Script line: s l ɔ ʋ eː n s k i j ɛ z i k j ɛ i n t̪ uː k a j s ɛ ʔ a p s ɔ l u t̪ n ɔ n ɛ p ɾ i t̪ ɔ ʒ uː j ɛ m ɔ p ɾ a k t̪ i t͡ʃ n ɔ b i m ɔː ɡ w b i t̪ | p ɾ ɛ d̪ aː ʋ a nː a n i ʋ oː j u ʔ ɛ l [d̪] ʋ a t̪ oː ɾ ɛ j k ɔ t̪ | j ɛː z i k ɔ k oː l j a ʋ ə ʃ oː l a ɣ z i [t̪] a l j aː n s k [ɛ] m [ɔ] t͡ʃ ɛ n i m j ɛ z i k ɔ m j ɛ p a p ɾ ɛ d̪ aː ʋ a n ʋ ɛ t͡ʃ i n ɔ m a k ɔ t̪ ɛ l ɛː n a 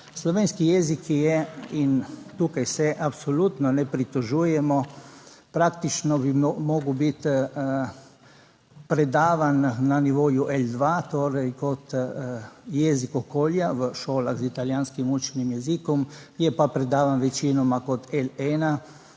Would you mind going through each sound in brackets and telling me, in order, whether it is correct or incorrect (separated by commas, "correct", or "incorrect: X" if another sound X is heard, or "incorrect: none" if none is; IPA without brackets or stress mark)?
correct, correct, incorrect: i, incorrect: u